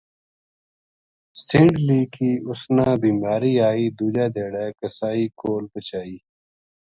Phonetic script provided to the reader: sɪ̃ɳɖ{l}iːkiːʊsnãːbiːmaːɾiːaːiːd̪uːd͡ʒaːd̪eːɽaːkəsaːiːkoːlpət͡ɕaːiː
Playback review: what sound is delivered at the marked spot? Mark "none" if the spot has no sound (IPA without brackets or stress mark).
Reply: l